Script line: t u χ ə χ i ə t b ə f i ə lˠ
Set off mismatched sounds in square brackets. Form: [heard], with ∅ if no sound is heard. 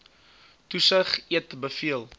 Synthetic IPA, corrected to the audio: t u [s] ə χ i ə t b ə f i ə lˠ